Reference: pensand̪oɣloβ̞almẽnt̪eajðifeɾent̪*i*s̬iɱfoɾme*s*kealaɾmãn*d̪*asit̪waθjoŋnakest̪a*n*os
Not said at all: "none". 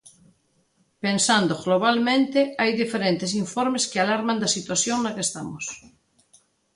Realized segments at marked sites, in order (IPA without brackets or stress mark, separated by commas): e, s, d̪, m